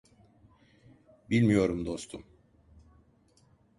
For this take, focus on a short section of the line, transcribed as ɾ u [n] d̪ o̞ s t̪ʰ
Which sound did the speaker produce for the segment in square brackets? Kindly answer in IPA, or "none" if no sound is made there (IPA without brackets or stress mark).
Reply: m